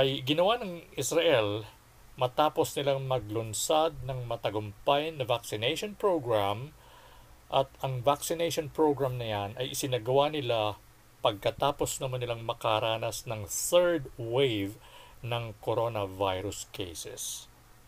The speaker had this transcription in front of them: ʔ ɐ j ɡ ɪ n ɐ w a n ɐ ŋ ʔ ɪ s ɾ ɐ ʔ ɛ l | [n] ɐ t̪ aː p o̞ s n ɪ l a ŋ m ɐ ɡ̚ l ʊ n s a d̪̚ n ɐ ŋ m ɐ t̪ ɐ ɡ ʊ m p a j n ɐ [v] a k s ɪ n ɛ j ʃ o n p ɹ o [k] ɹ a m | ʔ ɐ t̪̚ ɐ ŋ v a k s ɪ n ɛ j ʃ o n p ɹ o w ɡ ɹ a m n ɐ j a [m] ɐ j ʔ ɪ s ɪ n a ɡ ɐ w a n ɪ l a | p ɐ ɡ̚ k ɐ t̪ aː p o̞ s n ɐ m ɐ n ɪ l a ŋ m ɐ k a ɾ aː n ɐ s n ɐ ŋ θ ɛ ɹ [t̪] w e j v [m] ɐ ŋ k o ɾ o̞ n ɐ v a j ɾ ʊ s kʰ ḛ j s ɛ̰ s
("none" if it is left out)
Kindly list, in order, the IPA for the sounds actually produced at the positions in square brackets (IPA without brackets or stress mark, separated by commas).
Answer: m, v, ɡ, n, d̪, n